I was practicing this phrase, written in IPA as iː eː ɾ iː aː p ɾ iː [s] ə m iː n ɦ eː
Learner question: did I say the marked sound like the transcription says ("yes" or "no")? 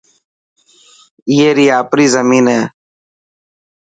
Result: no